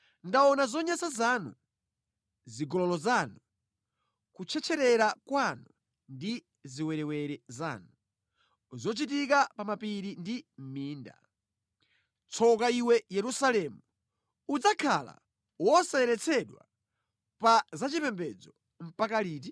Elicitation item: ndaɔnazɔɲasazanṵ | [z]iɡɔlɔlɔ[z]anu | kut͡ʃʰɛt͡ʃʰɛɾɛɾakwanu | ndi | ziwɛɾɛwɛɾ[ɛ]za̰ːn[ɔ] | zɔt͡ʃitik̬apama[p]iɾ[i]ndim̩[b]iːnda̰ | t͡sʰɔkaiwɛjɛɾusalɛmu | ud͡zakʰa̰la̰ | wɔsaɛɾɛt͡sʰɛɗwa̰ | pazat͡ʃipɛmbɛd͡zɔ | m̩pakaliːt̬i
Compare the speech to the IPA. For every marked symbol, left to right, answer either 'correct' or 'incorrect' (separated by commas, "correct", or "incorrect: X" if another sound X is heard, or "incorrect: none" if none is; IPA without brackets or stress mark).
correct, correct, correct, incorrect: u, correct, correct, incorrect: m